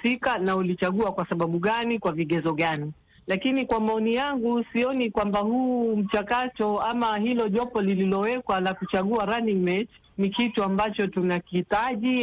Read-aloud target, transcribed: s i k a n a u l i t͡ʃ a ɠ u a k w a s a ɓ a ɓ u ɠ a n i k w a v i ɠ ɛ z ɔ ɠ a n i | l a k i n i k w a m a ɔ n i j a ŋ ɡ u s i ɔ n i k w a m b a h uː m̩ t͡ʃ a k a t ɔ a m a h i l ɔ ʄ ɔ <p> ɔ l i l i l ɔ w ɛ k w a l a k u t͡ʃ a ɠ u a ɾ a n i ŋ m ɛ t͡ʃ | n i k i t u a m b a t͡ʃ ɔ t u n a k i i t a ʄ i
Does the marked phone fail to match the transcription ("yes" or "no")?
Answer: no